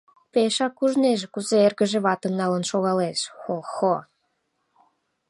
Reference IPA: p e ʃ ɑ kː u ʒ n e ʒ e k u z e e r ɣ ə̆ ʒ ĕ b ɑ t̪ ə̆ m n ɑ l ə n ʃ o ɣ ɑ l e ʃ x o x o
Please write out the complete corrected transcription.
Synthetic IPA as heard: p e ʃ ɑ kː u ʒ n e ʒ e k u z e e r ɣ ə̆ ʒ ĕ β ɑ t̪ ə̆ m n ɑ l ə n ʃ o ɣ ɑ l e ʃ x o x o